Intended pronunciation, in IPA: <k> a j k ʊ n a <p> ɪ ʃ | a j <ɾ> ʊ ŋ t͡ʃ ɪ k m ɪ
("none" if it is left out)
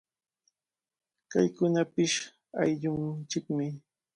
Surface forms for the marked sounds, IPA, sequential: k, p, ʎ

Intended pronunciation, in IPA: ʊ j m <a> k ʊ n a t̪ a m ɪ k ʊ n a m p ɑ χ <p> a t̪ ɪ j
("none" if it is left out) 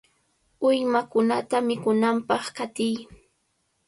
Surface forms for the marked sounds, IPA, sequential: a, k

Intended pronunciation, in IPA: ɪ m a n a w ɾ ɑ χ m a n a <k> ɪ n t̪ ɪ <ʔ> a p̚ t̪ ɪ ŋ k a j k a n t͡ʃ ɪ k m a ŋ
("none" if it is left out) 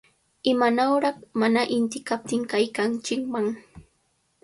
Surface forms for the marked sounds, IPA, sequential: ʔ, k

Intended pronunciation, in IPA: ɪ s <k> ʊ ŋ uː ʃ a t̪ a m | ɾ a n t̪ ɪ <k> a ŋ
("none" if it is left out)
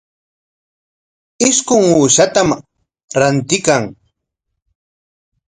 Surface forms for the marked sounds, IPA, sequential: k, k

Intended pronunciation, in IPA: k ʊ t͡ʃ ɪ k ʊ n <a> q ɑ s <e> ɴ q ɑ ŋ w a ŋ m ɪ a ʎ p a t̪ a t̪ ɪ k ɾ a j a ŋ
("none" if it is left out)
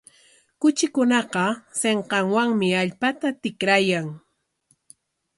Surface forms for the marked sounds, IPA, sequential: ɑ, e

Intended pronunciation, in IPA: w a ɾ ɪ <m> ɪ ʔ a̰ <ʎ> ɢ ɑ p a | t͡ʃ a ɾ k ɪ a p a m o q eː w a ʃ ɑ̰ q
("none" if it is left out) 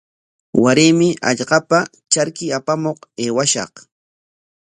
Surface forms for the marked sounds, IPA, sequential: m, ʎ

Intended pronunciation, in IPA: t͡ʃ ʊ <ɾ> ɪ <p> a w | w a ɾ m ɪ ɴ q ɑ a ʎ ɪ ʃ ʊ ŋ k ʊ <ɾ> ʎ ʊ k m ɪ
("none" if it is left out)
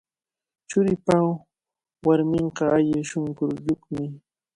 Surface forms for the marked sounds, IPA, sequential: ɾ, p, ɾ

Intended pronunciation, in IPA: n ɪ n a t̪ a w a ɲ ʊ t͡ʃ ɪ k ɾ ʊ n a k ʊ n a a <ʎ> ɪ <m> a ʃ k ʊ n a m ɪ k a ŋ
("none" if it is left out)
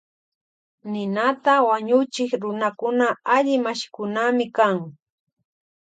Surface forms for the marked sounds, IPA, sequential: ʎ, m

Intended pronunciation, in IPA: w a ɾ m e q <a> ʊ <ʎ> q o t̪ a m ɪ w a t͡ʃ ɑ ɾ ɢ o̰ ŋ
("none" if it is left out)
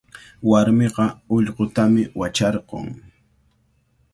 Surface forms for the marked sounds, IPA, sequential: ɑ, ʎ

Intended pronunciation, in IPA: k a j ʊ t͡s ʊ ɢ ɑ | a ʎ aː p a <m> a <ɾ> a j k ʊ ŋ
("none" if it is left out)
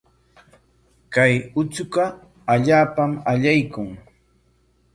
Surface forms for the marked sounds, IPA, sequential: m, ʎ

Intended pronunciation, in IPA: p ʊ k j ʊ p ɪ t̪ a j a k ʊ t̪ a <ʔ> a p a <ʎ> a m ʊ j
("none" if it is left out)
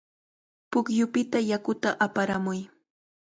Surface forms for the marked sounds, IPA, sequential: ʔ, ɾ

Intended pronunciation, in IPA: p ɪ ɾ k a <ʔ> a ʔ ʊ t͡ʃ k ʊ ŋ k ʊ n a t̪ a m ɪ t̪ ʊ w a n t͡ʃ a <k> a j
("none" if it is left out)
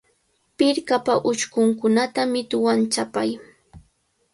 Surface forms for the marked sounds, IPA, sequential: p, p

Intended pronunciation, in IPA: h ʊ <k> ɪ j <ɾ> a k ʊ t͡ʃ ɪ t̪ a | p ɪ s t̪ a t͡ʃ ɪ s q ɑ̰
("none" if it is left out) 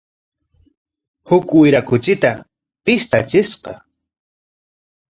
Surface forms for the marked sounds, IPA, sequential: k, ɾ

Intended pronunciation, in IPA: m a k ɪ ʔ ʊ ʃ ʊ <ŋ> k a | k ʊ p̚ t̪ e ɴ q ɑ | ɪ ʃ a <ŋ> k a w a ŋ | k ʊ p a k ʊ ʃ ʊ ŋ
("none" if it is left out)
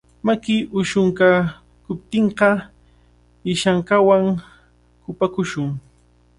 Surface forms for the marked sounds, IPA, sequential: ŋ, ŋ

